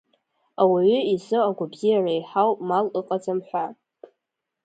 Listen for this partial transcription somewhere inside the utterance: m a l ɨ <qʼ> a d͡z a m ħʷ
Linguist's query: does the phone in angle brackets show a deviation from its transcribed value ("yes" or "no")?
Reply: no